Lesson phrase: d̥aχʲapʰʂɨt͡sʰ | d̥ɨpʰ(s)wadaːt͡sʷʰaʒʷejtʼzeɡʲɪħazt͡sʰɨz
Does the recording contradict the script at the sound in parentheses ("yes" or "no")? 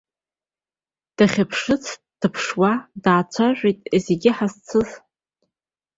yes